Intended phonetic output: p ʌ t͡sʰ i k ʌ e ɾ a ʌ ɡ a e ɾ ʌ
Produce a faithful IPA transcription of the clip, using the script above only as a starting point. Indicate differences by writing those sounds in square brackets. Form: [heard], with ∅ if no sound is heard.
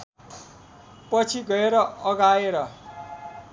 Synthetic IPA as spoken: p ʌ t͡sʰ i [ɡ] ʌ e ɾ [ʌ] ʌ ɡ a e ɾ ʌ

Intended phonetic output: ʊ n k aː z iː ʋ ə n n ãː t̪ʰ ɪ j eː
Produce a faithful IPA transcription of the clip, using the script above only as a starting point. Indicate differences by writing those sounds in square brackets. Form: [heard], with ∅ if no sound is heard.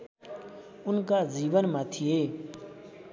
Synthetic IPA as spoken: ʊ n k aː z iː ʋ ə n [m] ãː t̪ʰ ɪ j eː

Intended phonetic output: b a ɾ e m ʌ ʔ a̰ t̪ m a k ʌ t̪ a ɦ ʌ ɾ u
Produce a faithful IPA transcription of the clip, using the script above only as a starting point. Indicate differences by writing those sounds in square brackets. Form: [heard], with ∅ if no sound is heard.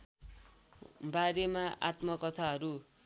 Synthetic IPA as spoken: b a ɾ e m [a] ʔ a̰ t̪ m [ʌ] k ʌ [t̪ʰ] a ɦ ʌ ɾ u

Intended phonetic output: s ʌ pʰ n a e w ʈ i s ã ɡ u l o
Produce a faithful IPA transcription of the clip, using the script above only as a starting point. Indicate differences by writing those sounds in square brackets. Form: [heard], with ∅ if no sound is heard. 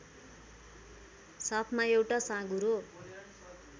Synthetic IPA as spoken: s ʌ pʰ [m] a e w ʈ [a] s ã ɡ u [ɾ] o

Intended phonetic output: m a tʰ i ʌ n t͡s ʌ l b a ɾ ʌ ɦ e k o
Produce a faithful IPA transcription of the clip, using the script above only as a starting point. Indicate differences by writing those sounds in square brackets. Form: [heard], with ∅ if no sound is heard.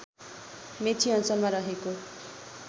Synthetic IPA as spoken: m [e] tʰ i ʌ n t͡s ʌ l [m] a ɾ ʌ ɦ e k o

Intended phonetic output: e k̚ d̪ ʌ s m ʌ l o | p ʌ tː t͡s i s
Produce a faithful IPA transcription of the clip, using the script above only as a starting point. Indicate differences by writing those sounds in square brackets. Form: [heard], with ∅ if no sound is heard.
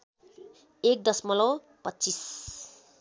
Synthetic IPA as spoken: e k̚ d̪ ʌ s m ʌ l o | p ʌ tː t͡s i s

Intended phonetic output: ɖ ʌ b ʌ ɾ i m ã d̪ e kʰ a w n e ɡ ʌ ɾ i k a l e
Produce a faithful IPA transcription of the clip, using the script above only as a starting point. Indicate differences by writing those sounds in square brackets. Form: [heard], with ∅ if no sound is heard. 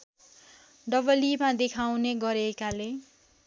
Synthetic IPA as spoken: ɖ ʌ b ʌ [l] i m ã d̪ e kʰ a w n e ɡ ʌ ɾ [e] k a l e

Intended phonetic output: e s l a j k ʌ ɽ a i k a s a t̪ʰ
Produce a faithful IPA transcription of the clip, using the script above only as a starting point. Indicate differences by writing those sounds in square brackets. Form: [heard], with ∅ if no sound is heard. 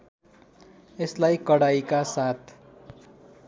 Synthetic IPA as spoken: e s l a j k ʌ ɽ a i k a s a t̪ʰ

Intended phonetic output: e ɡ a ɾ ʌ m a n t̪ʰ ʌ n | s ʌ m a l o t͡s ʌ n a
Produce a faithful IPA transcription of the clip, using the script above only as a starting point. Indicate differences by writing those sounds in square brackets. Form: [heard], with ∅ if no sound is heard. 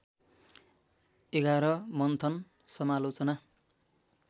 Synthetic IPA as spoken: e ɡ a ɾ ʌ m [ʌ] n t̪ʰ ʌ n | s ʌ m a l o t͡s ʌ n a

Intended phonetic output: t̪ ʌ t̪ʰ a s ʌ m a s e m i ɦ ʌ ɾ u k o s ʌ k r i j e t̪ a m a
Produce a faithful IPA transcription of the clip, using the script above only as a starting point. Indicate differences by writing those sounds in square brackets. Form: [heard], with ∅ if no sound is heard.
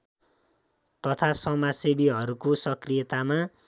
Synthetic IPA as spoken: t̪ ʌ t̪ʰ a s ʌ m a s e [b] i ɦ ʌ ɾ u k o s ʌ k r i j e t̪ a m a

